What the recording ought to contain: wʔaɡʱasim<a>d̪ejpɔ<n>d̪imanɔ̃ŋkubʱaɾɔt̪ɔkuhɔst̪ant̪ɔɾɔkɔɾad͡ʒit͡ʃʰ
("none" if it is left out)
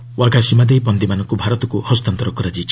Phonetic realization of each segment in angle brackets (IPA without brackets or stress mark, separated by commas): a, n